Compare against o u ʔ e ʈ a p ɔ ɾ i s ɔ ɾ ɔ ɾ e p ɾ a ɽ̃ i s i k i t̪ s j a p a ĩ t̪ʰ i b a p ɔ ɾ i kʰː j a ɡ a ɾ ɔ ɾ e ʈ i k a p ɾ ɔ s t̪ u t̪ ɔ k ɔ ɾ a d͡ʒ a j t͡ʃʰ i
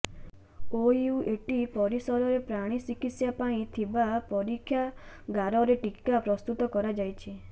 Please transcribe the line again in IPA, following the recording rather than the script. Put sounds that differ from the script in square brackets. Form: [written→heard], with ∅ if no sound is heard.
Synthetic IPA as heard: o u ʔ e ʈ [a→i] p ɔ ɾ i s ɔ ɾ ɔ ɾ e p ɾ a ɽ̃ i s i k i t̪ s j a p a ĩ t̪ʰ i b a p ɔ ɾ i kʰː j a ɡ a ɾ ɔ ɾ e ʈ i k a p ɾ ɔ s t̪ u t̪ ɔ k ɔ ɾ a d͡ʒ a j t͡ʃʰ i